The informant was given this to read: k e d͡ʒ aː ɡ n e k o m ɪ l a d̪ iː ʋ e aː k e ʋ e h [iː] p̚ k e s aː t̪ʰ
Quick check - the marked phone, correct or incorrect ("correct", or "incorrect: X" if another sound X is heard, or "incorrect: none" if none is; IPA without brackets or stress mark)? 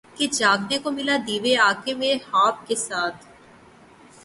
incorrect: aː